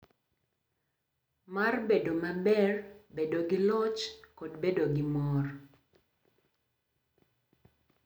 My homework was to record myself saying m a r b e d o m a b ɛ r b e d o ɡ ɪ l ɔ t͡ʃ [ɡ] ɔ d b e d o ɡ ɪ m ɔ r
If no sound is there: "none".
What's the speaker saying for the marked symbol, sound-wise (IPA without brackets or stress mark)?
k